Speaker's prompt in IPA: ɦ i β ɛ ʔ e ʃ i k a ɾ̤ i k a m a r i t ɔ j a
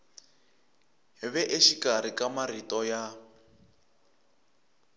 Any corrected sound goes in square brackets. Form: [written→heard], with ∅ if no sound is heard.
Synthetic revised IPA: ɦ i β ɛ ʔ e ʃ i k a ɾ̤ i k a m a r i t ɔ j a